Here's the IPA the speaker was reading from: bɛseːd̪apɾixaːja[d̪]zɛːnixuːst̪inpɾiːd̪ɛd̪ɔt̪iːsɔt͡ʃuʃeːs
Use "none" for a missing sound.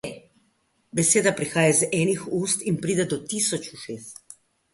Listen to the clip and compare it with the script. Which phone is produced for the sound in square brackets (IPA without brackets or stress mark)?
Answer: none